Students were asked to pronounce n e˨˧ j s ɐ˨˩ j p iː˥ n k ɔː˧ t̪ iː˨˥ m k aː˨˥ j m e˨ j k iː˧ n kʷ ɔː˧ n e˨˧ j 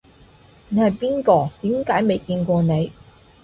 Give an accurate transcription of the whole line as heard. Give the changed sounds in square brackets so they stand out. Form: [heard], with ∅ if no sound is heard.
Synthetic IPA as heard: n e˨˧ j [h] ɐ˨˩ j p iː˥ n k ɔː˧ t̪ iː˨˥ m k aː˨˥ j m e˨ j k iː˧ n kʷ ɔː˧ n e˨˧ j